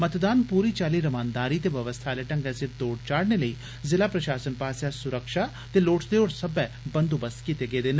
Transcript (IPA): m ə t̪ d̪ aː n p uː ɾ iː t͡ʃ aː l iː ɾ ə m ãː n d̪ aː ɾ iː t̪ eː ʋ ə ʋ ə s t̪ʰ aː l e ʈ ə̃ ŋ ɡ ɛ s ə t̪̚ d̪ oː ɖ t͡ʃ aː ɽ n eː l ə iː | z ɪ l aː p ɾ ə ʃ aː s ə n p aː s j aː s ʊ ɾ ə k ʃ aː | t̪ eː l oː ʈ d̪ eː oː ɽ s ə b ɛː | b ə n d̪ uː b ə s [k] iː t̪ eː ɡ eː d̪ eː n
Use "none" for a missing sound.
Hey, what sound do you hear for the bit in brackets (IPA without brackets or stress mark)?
k